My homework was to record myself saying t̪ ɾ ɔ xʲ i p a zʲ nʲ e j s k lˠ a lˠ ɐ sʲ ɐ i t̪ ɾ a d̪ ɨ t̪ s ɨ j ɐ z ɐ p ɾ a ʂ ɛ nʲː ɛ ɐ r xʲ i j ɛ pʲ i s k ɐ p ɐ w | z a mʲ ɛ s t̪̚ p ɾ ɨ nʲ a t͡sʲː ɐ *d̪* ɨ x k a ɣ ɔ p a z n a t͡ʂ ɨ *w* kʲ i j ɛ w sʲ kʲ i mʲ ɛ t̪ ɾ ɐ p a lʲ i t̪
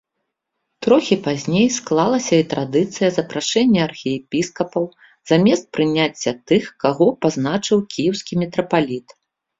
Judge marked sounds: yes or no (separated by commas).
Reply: no, yes